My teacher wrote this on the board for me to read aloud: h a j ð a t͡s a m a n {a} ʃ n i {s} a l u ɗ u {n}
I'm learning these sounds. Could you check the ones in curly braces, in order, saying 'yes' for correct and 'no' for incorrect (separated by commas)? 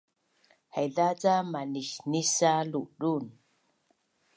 no, yes, yes